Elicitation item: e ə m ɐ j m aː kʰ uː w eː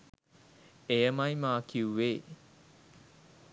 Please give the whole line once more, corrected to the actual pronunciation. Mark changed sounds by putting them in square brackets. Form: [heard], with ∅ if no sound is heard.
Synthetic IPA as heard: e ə m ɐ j m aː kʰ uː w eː